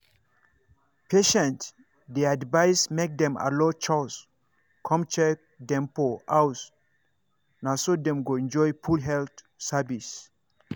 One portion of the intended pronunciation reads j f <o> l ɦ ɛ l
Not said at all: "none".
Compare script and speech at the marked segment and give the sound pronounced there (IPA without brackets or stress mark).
u